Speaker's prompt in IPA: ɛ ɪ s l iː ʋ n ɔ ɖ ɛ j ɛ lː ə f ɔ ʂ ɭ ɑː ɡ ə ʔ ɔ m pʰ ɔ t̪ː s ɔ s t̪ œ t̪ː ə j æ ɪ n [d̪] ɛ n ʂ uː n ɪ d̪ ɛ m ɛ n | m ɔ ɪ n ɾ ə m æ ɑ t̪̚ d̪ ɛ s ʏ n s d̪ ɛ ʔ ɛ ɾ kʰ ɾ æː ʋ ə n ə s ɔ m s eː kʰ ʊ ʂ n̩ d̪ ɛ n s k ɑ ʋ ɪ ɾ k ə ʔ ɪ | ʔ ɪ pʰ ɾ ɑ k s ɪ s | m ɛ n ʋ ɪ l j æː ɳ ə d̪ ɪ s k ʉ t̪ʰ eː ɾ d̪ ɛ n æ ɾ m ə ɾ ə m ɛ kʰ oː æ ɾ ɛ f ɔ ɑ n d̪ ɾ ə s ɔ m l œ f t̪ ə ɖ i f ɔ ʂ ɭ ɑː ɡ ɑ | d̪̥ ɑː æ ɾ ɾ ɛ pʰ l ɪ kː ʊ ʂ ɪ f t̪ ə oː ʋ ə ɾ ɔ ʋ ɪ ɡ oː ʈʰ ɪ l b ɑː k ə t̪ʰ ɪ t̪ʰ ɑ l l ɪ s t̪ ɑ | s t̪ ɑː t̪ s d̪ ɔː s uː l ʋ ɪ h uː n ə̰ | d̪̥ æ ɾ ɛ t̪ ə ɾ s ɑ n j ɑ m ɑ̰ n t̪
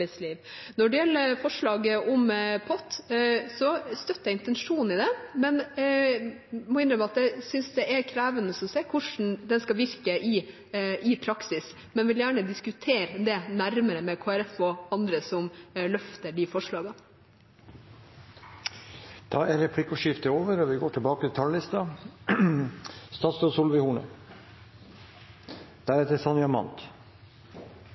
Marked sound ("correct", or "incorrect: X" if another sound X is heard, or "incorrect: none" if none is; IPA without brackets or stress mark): incorrect: t̪